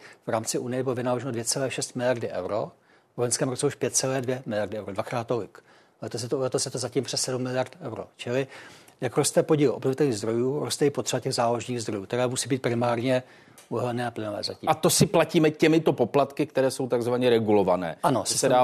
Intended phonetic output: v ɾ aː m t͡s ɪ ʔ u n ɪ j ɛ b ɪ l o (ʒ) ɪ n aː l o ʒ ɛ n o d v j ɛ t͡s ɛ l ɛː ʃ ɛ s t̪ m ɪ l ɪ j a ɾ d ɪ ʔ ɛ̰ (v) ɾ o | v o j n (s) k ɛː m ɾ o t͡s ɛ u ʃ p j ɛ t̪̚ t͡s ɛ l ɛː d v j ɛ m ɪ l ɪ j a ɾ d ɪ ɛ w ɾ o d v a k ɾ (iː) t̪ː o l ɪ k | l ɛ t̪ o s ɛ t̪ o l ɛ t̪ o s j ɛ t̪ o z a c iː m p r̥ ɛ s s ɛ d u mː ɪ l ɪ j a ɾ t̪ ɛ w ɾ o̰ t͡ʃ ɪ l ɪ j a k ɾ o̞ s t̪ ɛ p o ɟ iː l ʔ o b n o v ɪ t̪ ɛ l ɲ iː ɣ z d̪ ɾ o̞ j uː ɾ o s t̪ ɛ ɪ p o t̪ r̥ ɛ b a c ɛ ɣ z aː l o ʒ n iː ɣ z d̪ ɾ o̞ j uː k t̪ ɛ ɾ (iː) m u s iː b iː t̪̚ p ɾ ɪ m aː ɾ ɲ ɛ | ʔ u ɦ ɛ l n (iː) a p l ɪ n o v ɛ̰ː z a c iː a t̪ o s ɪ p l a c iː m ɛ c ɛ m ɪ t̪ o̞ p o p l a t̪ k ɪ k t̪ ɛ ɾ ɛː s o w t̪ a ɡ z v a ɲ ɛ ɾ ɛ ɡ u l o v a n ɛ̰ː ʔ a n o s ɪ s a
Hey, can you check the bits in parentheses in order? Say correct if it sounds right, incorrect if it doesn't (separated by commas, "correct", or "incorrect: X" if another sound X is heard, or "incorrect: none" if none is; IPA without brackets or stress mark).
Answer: incorrect: v, incorrect: w, correct, incorrect: aː, incorrect: ɛː, incorrect: ɛː